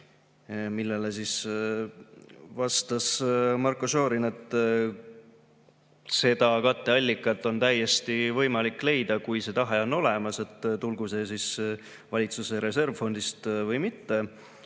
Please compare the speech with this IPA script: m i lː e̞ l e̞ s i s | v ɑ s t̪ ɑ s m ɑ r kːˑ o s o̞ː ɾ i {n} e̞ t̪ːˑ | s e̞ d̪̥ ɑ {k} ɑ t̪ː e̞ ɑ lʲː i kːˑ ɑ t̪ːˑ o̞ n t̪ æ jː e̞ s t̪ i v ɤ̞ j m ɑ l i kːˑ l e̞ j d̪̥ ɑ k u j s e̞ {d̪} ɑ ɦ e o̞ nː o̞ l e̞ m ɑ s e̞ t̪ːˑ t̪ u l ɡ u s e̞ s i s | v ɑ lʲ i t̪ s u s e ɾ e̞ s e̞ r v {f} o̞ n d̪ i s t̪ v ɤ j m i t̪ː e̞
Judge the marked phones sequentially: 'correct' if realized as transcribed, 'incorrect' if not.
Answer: correct, correct, incorrect, correct

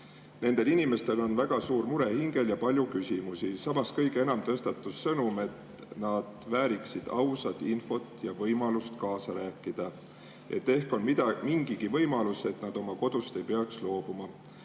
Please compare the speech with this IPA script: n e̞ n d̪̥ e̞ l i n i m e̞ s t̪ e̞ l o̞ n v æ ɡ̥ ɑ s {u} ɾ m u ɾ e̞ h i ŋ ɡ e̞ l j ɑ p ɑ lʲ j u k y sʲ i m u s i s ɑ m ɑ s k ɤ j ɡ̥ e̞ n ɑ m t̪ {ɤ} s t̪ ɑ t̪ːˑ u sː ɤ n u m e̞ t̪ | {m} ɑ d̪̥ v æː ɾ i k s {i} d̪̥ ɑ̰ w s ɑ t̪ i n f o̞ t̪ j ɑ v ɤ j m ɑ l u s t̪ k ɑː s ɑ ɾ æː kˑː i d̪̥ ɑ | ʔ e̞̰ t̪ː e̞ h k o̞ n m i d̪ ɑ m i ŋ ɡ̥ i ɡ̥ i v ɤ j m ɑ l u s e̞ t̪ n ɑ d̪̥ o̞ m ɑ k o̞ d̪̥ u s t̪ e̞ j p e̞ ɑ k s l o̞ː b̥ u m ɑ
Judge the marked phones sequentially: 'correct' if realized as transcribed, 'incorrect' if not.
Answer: incorrect, correct, incorrect, correct

